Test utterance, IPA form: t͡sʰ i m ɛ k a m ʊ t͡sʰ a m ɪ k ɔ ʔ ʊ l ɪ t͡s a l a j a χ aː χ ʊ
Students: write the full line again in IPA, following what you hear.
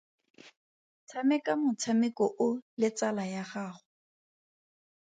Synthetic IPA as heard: t͡sʰ a m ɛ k a m ʊ t͡sʰ a m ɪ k ɔ ʔ ʊ l ɪ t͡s a l a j a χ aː χ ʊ